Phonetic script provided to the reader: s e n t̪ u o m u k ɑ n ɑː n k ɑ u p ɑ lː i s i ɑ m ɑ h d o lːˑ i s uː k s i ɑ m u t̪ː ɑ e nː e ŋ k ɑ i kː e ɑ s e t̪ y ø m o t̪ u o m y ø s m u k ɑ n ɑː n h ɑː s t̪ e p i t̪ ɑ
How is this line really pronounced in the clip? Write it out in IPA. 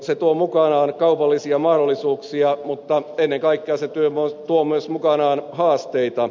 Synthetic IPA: s e t̪ u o m u k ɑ n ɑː n k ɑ u p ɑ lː i s i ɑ m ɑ h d o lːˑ i s uː k s i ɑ m u t̪ː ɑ e nː e ŋ k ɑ i kː e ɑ s e t̪ y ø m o t̪ u o m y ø s m u k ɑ n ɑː n h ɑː s t̪ e i t̪ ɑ